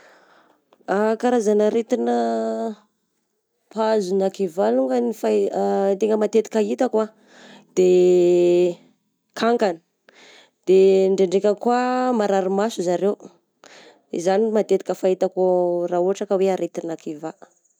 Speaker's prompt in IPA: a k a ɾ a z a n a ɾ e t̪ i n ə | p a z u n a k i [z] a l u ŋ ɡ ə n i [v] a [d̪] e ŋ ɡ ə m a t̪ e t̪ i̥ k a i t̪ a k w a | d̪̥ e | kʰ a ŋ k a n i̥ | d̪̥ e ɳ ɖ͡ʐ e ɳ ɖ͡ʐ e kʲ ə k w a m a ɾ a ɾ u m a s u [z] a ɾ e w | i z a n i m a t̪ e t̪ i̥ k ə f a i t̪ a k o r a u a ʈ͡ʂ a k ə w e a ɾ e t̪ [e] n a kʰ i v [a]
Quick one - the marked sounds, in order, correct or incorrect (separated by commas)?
incorrect, incorrect, incorrect, correct, incorrect, correct